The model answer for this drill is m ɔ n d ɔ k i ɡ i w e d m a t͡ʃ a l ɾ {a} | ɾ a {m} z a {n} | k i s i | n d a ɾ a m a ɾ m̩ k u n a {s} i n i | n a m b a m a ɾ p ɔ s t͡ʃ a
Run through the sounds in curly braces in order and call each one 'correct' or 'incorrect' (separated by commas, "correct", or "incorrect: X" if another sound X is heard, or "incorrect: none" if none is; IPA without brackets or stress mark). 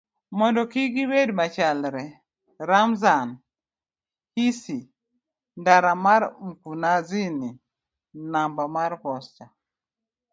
incorrect: ɛ, correct, correct, incorrect: z